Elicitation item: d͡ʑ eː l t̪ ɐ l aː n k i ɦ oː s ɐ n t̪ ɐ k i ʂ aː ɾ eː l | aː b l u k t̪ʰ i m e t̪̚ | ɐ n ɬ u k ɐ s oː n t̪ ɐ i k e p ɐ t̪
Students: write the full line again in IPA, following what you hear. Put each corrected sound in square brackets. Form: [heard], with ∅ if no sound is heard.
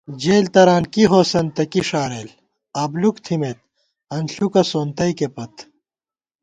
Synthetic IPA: d͡ʑ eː l t̪ ɐ [ɾ] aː n k i ɦ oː s ɐ n t̪ ɐ k i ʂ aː ɾ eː l | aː b l u k t̪ʰ i m e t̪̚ | ɐ n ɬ u k ɐ s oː n t̪ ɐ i k e p ɐ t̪